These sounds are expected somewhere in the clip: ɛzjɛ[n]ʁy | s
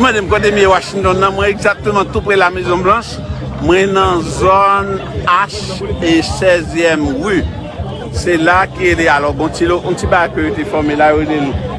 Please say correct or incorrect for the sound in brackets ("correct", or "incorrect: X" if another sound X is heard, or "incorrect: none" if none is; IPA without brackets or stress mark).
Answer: incorrect: m